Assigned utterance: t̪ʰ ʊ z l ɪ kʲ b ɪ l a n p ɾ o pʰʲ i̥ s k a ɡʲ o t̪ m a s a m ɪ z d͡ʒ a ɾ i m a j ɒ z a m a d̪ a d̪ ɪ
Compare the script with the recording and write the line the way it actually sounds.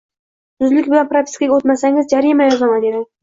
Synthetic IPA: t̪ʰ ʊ z l ɪ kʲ b ɪ l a n p ɾ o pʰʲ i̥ s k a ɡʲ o t̪ m a s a ŋ ɪ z d͡ʒ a ɾ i m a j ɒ z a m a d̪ e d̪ ɪ

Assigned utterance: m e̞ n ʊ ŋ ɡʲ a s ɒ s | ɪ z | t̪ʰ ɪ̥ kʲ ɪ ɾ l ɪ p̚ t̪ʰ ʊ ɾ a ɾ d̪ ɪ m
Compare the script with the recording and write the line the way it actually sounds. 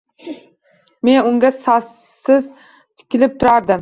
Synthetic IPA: m e̞ n ʊ ŋ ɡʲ a s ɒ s | ɪ z | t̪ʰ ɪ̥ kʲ ɪ l ɪ p̚ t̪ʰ ʊ ɾ a ɾ d̪ ɪ m

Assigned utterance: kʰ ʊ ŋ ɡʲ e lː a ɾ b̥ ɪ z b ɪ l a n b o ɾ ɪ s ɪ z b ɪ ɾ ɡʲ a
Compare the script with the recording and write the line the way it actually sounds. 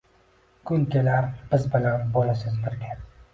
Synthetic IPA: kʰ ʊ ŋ kʲ e l a ɾ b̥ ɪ z b ɪ l a n b o l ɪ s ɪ z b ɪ ɾ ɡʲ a

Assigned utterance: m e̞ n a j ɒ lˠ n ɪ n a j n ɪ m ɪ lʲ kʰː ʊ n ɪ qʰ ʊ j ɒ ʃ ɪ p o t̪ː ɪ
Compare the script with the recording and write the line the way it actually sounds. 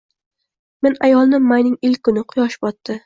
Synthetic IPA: m e̞ n a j ɒ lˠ n ɪ m a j n ɪ ŋ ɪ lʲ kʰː ʊ n ɪ qʰ ʊ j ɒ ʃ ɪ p ɒ t̪ː ɪ

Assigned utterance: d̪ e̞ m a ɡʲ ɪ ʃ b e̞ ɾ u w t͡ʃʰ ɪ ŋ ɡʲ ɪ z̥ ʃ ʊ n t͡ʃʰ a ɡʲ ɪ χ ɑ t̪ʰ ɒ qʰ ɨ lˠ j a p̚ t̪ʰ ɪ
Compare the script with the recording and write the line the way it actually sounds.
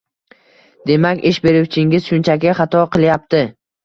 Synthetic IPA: d̪ e̞ m a kʲ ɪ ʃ b e̞ ɾ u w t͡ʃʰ ɪ ŋ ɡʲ ɪ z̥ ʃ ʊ n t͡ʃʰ a kʲ ɪ χ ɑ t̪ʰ ɒ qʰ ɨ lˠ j a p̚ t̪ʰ ɪ

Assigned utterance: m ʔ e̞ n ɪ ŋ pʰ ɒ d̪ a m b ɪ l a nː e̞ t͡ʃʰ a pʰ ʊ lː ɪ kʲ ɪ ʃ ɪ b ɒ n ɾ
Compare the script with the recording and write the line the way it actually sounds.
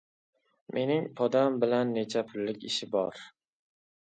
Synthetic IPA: m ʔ e̞ n ɪ ŋ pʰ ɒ d̪ a m b ɪ l a nː e̞ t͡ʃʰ a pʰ ʊ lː ɪ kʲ ɪ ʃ ɪ b ɒ ɾ

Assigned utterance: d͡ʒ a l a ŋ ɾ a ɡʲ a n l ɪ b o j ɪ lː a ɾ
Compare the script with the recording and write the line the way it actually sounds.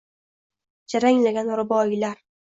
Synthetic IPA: d͡ʒ a ɾ a ŋ l a ɡʲ a n ɾ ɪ b ɒ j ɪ l a ɾ

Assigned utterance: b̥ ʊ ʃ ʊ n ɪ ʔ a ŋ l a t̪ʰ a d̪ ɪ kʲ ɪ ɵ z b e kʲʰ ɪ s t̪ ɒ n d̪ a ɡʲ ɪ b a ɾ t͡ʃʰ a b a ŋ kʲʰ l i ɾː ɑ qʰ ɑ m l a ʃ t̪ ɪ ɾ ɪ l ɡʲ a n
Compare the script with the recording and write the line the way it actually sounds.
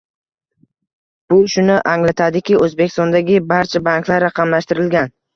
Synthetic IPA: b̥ ʊ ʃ ʊ n ɪ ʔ a ŋ l a t̪ʰ a d̪ ɪ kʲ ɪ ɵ z b e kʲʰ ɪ s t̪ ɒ n d̪ a ɡʲ ɪ b a ɾ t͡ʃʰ a b a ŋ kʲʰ l a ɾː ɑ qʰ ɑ m l a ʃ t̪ ɪ ɾ ɪ l ɡʲ a n

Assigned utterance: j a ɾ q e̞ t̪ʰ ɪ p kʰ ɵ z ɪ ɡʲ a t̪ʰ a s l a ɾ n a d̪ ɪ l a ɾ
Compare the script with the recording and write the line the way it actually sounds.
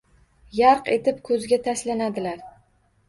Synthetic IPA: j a ɾ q e̞ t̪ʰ ɪ p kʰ ɵ z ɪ ɡʲ a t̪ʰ a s l a n a d̪ ɪ l a ɾ

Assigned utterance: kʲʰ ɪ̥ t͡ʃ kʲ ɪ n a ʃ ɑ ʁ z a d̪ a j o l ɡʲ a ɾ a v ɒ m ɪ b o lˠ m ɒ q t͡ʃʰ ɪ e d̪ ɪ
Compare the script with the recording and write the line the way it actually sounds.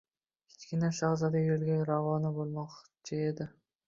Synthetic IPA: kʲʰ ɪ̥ t͡ʃ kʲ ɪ n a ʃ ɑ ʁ z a d̪ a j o l ɡʲ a ɾ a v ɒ n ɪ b o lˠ m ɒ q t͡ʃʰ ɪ e d̪ ɪ

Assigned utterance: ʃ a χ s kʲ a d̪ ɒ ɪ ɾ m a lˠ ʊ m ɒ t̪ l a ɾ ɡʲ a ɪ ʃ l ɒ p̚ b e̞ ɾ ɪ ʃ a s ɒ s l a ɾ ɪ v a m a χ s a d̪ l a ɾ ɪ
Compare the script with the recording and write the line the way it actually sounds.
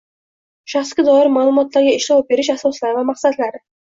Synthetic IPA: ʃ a χ s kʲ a d̪ ɒ ɪ ɾ m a lˠ ʊ m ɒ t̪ l a ɾ ɡʲ a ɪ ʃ l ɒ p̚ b e̞ ɾ ɪ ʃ a s ɒ s l a ɾ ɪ v a m a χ s a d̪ l a ɾ ɪ

